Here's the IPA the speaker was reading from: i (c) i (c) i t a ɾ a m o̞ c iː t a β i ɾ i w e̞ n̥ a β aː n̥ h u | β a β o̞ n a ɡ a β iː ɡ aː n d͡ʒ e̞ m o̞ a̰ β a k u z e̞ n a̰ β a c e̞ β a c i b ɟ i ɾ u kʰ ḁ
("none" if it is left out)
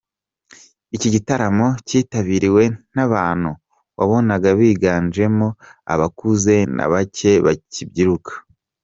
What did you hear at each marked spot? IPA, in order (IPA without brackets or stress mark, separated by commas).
c, ɟ